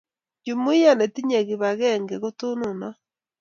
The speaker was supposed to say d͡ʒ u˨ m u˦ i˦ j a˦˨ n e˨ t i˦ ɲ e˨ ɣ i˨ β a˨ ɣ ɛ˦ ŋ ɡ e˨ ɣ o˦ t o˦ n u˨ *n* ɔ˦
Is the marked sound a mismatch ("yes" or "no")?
no